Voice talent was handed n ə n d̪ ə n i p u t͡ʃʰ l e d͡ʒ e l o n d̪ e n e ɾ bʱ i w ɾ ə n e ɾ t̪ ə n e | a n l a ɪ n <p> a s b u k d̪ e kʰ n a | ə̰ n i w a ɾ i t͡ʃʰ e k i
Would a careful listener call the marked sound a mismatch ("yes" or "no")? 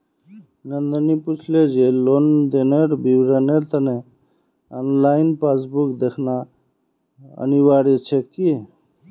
no